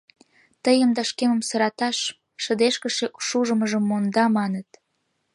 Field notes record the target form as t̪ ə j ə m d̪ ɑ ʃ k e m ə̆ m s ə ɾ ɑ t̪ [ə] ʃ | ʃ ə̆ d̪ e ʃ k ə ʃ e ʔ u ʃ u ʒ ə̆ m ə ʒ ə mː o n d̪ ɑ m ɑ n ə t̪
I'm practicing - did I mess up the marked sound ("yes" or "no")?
yes